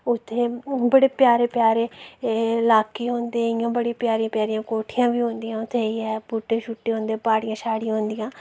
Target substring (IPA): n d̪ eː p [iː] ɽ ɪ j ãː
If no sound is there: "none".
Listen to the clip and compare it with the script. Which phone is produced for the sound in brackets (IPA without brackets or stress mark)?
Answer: aː